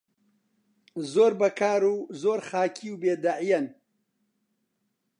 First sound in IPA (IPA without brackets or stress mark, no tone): z